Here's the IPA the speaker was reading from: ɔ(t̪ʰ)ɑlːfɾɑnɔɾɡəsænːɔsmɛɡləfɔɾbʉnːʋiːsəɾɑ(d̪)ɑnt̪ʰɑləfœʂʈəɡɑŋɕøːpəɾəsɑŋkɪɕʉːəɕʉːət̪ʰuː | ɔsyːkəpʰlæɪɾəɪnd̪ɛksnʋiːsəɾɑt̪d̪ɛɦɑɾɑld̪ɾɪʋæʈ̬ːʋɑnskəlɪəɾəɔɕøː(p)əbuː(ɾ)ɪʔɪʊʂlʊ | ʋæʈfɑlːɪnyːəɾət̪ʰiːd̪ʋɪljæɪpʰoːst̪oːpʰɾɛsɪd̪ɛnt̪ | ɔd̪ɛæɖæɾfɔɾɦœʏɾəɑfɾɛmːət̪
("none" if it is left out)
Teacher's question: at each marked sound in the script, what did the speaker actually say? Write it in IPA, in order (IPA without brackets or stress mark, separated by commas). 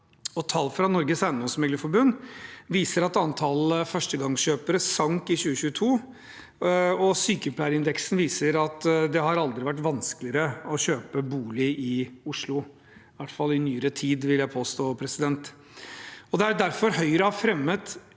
t̪ʰ, t̪, p, l